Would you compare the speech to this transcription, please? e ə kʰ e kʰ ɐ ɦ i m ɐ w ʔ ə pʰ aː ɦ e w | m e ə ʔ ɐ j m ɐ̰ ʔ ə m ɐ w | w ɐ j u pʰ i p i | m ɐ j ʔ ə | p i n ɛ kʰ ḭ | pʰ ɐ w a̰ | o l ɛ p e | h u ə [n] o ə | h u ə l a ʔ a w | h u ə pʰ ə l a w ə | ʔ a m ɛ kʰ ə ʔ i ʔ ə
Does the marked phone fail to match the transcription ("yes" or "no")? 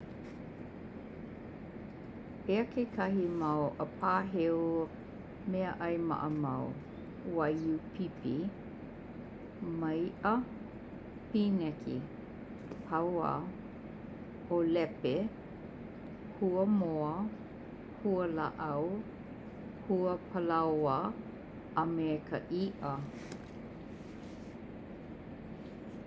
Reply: yes